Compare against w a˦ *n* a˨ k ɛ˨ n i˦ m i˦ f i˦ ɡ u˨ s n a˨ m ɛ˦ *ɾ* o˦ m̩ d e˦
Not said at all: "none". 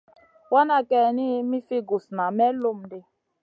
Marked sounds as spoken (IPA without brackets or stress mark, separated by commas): n, l